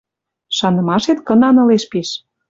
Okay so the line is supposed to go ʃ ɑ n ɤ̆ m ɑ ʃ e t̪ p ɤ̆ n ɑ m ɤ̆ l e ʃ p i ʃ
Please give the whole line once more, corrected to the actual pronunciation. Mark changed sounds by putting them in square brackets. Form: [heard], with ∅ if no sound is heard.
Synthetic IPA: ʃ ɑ n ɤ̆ m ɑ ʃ e t̪ [k] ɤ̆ n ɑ [n] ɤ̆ l e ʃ p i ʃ

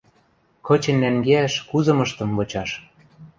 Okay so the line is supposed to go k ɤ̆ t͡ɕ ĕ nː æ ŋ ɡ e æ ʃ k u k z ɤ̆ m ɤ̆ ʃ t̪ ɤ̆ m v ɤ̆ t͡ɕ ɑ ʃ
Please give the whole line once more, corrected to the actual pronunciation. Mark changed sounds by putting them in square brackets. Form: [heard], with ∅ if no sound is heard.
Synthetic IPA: k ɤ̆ t͡ɕ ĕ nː æ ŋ ɡ e æ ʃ k u [∅] z ɤ̆ m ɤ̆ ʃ t̪ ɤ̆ m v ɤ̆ t͡ɕ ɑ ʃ

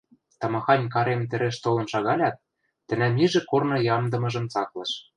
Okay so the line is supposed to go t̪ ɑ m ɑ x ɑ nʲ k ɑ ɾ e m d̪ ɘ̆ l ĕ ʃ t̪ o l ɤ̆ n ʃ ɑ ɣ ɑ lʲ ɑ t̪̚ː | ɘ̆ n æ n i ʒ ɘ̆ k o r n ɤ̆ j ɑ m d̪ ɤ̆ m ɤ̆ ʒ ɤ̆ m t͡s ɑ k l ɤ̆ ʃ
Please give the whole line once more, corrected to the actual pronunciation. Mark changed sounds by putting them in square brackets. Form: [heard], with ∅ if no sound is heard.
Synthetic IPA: t̪ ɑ m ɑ x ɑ nʲ k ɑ ɾ e m [t̪] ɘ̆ [ɾ] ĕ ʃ t̪ o l ɤ̆ n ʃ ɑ ɣ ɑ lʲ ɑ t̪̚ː | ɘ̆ n æ [m] i ʒ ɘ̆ k o r n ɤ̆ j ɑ m d̪ ɤ̆ m ɤ̆ ʒ ɤ̆ m t͡s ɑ k l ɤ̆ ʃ

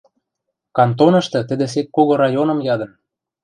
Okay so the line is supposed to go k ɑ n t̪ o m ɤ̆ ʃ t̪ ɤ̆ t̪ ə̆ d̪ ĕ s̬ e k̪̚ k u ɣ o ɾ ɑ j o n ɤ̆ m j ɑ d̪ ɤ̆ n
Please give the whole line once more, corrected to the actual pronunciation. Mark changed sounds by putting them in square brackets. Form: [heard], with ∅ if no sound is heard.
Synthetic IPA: k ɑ n t̪ o [n] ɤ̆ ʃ t̪ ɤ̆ t̪ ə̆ d̪ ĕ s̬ e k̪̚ k [o] ɣ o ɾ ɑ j o n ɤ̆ m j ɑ d̪ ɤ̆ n

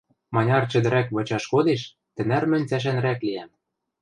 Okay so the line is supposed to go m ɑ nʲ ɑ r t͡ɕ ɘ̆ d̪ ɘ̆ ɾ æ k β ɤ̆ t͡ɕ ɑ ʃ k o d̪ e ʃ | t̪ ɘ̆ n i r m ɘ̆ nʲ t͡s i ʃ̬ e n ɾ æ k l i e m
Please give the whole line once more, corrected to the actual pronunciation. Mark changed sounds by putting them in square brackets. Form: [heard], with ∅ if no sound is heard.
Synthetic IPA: m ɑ nʲ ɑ r t͡ɕ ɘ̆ d̪ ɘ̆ ɾ æ k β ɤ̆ t͡ɕ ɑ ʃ k o d̪ e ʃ | t̪ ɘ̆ n [æ] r m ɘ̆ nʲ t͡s [æ] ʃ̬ [æ] n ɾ æ k l i [æ] m

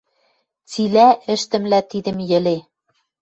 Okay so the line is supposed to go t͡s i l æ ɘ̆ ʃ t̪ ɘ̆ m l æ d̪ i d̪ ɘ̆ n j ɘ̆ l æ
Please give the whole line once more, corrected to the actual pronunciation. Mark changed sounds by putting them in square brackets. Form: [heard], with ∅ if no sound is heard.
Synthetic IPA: t͡s i l æ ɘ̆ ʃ t̪ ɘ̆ m l æ [t̪] i d̪ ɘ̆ [m] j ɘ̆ l [e]

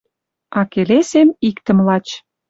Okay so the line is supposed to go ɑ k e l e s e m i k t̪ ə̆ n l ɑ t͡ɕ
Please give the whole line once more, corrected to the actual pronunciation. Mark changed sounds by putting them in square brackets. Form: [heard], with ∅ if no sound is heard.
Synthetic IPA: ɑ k e l e s e m i k t̪ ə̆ [m] l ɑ t͡ɕ

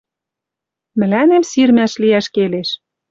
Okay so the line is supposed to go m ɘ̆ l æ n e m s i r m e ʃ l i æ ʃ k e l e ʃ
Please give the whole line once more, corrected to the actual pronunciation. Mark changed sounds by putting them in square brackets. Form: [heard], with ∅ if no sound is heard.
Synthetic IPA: m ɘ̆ l æ n e m s i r m [æ] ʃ l i æ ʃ k e l e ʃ

